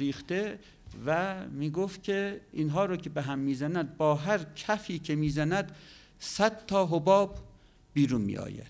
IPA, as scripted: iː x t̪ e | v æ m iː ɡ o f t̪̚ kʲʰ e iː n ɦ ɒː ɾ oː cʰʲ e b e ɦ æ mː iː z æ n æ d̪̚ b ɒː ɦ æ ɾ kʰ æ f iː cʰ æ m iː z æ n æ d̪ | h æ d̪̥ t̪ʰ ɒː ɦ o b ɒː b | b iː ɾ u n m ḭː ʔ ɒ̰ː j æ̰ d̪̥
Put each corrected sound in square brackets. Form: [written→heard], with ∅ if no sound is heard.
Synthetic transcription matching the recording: iː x t̪ e | v æ m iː ɡ o f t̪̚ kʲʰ e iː n ɦ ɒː ɾ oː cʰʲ e b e ɦ æ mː iː z æ n æ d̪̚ b ɒː ɦ æ ɾ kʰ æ f iː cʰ [æ→e] m iː z æ n æ d̪ | [h→s] æ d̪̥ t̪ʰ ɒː ɦ o b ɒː b | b iː ɾ u n m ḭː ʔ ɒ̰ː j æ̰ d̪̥